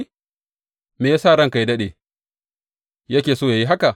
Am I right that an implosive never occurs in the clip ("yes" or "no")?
no